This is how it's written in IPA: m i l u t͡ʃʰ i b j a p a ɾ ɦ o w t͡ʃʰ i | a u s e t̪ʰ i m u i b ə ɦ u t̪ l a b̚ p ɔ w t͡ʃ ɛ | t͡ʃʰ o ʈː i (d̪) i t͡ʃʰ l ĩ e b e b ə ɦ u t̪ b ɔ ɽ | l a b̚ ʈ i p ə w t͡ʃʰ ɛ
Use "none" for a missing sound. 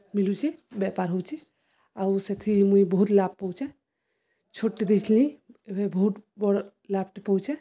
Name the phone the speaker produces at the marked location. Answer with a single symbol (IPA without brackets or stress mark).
d̪